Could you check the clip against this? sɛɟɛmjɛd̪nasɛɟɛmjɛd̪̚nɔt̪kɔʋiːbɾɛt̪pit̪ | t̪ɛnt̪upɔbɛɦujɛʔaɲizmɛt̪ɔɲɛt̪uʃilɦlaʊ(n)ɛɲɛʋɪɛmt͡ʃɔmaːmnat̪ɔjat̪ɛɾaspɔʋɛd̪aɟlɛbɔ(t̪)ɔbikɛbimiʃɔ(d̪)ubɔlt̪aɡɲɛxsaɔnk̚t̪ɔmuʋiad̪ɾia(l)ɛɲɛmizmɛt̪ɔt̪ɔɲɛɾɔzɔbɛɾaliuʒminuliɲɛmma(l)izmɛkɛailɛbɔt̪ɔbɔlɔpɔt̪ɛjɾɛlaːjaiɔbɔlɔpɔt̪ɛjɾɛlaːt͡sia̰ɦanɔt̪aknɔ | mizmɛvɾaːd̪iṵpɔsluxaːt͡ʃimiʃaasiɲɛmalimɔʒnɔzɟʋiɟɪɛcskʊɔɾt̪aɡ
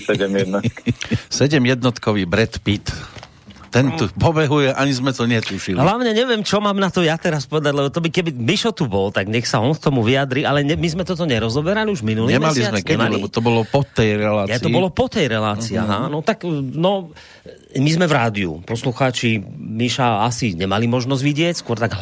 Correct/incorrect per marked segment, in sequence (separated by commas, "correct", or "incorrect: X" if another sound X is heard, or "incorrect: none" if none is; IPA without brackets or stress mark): incorrect: ɲ, correct, incorrect: t̪, correct, correct